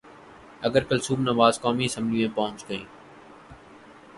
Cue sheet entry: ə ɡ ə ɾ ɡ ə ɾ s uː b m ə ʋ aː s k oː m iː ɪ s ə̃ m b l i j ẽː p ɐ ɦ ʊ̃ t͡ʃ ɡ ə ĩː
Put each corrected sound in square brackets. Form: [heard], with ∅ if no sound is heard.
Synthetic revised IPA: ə ɡ ə ɾ [k] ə [l] s uː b [n] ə ʋ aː [z] k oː m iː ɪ s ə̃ m b l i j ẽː p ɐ ɦ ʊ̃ t͡ʃ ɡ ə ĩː